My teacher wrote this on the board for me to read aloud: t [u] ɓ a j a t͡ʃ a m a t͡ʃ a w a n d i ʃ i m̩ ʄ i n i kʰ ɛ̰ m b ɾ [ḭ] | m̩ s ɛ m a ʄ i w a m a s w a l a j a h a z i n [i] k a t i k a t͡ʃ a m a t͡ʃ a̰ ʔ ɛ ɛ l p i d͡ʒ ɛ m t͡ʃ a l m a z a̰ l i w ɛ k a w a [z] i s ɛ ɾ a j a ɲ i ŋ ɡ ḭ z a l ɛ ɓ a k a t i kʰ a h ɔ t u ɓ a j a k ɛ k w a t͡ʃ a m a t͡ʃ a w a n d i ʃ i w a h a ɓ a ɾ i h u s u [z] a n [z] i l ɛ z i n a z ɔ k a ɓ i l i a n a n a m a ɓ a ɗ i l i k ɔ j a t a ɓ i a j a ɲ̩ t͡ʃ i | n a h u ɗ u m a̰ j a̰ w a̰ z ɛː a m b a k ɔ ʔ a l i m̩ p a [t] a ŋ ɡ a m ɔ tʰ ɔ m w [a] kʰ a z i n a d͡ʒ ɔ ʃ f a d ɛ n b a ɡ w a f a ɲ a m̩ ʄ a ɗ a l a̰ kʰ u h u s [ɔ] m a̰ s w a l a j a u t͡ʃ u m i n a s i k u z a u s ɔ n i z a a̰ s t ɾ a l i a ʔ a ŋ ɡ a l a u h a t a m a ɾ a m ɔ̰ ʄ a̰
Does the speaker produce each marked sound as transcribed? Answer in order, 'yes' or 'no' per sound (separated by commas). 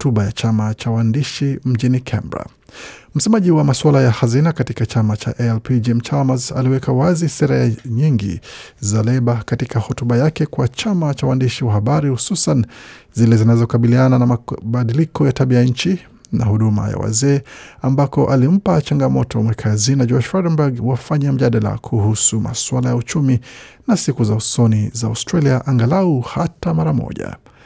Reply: yes, no, no, yes, no, yes, no, no, no